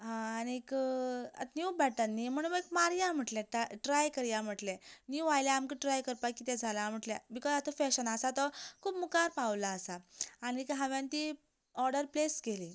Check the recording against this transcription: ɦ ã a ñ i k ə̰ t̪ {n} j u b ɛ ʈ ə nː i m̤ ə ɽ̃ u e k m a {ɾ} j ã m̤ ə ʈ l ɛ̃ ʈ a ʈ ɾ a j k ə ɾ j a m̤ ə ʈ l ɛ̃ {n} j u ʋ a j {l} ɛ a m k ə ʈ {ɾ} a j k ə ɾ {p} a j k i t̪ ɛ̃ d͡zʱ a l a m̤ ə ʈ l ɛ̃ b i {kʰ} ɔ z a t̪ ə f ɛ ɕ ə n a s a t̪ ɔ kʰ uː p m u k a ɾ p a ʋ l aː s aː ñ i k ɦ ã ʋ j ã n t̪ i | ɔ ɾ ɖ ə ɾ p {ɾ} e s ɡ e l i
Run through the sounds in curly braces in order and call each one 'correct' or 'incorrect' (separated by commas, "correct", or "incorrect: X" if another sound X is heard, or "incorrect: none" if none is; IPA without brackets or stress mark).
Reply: correct, correct, correct, correct, correct, correct, incorrect: k, incorrect: l